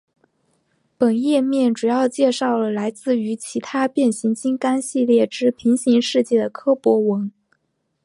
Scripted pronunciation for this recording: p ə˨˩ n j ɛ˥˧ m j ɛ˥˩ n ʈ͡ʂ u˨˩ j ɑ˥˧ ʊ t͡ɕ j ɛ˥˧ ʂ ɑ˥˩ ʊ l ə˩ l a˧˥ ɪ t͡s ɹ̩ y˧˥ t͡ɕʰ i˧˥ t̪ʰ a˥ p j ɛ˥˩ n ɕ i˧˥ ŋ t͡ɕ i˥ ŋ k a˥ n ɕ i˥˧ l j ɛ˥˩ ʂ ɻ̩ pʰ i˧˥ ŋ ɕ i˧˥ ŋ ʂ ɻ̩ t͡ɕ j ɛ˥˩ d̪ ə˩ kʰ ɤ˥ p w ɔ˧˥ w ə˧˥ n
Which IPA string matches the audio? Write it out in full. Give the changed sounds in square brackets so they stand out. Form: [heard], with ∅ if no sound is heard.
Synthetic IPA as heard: p ə˨˩ n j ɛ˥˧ m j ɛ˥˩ n ʈ͡ʂ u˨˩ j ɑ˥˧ ʊ t͡ɕ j ɛ˥˧ ʂ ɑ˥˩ ʊ l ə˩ l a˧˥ ɪ t͡s ɹ̩ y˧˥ t͡ɕʰ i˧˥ t̪ʰ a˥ p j ɛ˥˩ n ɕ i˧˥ ŋ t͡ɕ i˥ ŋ k a˥ n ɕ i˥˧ l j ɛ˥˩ [ʈ͡ʂ] ɻ̩ pʰ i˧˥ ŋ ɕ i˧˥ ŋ ʂ ɻ̩ t͡ɕ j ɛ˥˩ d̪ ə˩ kʰ ɤ˥ p w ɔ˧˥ w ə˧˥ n